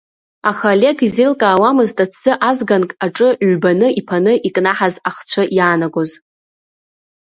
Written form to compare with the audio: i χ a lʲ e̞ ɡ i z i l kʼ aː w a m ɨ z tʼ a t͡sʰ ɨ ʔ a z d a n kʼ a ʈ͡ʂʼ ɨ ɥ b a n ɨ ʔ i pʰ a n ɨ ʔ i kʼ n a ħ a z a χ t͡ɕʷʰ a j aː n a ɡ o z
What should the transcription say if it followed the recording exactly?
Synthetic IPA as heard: a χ a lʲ e̞ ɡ i z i l kʼ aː w a m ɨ z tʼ a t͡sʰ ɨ ʔ a z ɡ a n kʼ a ʈ͡ʂʼ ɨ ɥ b a n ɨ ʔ i pʰ a n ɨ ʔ i kʼ n a ħ a z a χ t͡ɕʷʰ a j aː n a ɡ o z